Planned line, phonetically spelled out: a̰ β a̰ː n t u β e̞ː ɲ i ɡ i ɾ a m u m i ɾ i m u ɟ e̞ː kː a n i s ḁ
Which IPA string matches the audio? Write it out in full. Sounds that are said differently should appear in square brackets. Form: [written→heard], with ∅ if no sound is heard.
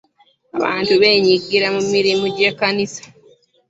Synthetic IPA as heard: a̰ β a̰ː n t u β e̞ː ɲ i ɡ i ɾ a m u m i ɾ i m u ɟ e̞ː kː a n i s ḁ